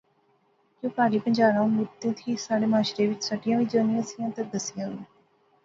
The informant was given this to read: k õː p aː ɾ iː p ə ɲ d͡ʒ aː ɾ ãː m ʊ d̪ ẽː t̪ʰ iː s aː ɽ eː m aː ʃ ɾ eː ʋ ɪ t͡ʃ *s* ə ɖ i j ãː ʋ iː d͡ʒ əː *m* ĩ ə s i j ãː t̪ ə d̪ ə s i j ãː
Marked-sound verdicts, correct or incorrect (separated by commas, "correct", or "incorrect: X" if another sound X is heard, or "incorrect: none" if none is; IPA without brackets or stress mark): correct, incorrect: n